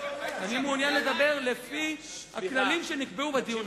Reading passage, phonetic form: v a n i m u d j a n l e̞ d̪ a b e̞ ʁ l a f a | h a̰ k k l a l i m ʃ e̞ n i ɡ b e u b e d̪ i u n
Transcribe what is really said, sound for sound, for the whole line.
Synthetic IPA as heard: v a n i m u n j a n l e̞ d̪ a b e̞ ʁ l e f i | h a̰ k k l a l i m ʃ e̞ n i k b e u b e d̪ i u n